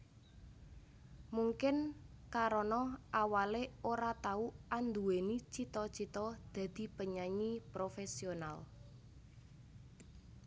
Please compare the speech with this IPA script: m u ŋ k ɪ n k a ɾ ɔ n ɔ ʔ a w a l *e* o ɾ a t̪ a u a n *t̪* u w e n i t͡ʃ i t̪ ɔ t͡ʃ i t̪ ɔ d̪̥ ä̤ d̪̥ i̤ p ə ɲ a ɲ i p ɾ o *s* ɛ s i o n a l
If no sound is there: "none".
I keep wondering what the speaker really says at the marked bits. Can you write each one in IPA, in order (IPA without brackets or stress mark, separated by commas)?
e, d̪, f